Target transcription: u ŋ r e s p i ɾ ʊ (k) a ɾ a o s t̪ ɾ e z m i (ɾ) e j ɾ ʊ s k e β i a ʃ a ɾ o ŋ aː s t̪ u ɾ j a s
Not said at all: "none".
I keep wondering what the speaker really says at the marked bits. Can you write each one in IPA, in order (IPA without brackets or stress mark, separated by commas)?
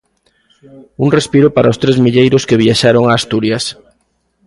p, ʎ